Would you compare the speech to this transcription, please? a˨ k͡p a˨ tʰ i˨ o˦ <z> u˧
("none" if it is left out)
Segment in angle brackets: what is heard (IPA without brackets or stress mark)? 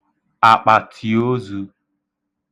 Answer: z